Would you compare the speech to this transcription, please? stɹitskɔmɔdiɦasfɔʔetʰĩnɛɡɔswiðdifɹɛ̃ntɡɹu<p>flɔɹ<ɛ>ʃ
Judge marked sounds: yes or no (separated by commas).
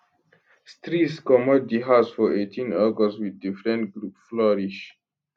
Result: yes, no